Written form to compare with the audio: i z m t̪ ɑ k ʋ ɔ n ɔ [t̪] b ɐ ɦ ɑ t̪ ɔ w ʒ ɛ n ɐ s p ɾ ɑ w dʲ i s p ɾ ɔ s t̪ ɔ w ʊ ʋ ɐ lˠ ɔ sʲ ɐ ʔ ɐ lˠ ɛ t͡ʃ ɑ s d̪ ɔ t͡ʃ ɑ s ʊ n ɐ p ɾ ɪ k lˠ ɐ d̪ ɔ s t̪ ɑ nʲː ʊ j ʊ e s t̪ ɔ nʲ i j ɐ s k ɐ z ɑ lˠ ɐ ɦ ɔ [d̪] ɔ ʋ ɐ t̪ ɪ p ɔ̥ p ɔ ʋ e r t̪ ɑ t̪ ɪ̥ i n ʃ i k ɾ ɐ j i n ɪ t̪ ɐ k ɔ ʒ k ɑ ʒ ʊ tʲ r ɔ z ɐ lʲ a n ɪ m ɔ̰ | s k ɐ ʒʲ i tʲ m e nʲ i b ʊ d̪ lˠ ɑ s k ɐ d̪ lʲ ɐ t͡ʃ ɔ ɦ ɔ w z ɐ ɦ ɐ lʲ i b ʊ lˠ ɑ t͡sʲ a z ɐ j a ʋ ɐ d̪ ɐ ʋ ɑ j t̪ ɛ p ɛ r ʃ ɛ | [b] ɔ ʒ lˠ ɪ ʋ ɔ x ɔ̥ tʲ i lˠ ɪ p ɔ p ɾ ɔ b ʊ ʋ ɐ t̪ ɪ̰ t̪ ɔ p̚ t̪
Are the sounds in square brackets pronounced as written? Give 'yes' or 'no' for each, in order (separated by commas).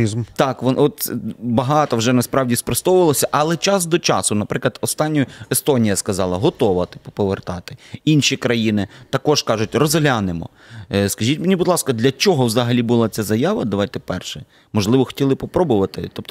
yes, no, no